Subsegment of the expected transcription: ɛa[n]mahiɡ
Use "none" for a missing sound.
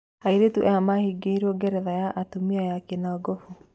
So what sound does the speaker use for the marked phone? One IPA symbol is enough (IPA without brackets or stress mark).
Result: none